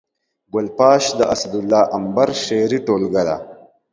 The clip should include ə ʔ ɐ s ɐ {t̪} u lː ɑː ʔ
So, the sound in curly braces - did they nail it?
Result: no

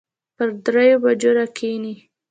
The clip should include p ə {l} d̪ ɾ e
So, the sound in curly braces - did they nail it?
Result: no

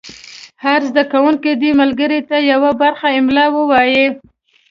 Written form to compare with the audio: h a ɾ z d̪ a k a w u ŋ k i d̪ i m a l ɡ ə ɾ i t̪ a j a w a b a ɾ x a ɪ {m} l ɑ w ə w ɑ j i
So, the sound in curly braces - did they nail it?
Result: yes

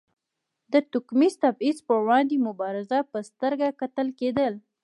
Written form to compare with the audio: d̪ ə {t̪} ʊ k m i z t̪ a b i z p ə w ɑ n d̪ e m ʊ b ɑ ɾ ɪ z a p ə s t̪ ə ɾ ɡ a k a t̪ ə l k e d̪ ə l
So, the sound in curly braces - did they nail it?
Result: yes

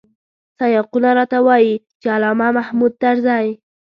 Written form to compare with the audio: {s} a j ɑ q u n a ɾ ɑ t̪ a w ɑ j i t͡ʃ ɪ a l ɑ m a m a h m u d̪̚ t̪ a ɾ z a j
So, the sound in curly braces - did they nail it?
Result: yes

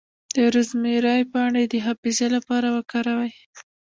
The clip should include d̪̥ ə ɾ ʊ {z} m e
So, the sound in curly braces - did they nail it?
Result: yes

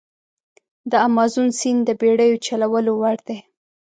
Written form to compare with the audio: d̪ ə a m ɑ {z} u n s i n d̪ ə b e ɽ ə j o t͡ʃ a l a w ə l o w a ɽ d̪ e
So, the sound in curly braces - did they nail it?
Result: yes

